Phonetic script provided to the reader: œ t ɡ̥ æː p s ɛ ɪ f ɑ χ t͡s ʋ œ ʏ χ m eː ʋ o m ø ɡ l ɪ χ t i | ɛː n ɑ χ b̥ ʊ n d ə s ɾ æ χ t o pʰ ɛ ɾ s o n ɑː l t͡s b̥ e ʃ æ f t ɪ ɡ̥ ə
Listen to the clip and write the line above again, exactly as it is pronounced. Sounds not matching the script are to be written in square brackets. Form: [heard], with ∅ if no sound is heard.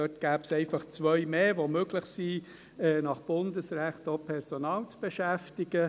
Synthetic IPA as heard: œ t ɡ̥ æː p s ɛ ɪ f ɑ χ t͡s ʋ œ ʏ [∅] m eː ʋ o m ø ɡ l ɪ χ [s] i | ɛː n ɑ χ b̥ ʊ n d ə s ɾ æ χ t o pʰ ɛ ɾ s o n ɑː l t͡s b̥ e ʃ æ f t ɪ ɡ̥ ə